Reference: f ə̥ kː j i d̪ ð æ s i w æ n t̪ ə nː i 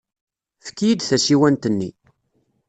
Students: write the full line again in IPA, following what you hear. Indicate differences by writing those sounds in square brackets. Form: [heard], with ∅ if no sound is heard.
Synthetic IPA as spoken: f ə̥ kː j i d̪ [θ] æ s i w æ n t̪ ə nː i

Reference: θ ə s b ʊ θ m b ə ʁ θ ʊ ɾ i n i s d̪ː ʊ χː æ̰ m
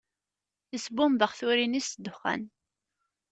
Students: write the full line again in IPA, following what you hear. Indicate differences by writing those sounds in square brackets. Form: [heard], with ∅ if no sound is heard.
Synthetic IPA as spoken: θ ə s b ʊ [∅] m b ə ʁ θ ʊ ɾ i n i s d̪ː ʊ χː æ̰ [n]

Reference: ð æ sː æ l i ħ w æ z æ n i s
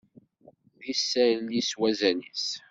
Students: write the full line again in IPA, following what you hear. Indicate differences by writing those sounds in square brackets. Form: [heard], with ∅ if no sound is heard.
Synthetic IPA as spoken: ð [i] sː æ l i [s] w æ z æ n i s

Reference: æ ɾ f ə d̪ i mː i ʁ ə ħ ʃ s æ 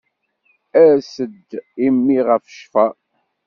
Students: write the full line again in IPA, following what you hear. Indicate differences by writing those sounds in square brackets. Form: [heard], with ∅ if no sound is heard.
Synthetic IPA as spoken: æ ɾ [s] ə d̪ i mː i ʁ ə [f] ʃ [f] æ

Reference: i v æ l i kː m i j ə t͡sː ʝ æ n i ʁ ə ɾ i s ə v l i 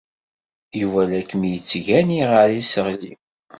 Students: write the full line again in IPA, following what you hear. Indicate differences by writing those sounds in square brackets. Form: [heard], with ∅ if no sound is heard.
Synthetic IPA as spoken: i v æ l [æ] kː m i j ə t͡sː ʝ æ n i ʁ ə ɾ i s ə [ʁ] l i

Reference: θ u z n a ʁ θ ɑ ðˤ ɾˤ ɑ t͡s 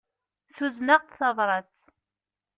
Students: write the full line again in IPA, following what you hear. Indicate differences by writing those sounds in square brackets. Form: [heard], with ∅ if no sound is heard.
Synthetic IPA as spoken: θ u z n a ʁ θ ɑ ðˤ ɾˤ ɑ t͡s

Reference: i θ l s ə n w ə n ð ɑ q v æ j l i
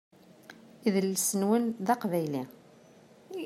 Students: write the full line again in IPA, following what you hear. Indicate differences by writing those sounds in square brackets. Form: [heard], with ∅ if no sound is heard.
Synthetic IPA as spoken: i [ð] l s ə n w ə n ð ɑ q v æ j l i

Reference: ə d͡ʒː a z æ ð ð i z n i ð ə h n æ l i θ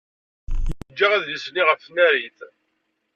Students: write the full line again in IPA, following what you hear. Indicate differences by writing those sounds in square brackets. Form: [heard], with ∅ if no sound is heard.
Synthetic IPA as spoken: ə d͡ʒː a [ʁ] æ ð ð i [s] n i [ʁ] ə [f] n æ [ɾ] i θ

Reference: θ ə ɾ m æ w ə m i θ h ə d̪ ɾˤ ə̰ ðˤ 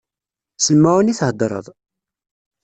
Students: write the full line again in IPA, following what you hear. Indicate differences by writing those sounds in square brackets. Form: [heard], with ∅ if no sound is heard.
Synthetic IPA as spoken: [s] ə [l] m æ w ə [n] i θ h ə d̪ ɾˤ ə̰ ðˤ

